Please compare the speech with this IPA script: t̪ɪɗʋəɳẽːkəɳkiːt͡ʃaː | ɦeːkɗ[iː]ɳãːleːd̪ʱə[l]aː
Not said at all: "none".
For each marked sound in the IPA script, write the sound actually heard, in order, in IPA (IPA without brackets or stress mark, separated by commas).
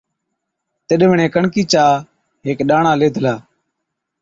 aː, l